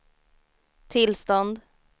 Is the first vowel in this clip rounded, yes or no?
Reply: no